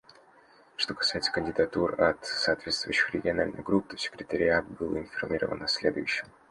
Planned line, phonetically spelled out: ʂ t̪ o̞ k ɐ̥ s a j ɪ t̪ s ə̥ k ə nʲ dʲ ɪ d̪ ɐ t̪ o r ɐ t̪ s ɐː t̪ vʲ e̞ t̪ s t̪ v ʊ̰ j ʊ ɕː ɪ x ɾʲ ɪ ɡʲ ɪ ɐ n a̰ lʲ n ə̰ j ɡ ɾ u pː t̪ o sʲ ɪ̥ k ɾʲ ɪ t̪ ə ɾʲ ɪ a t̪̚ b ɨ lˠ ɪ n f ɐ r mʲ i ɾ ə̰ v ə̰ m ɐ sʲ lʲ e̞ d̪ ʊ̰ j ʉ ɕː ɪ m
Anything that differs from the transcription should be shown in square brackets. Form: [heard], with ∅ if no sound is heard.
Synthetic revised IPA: ʂ t̪ o̞ k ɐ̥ s a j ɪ t̪ s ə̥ k ə nʲ dʲ ɪ d̪ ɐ t̪ [u] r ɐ t̪ s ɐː t̪ vʲ e̞ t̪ s t̪ v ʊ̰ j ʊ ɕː ɪ x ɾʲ ɪ ɡʲ ɪ ɐ n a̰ lʲ n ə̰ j ɡ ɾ u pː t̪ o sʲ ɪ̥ k ɾʲ ɪ t̪ ə ɾʲ ɪ a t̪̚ b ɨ lˠ ɪ n f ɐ r mʲ i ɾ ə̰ v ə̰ [n] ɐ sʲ lʲ e̞ d̪ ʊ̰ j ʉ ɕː ɪ m